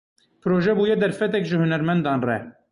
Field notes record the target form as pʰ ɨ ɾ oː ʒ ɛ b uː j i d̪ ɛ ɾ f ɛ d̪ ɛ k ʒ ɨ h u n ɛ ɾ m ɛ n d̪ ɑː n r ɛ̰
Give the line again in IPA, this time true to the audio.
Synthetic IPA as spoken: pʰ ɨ ɾ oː ʒ ɛ b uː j ɛ d̪ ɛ ɾ f ɛ t̪ ɛ k ʒ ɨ h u n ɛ ɾ m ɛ n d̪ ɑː n r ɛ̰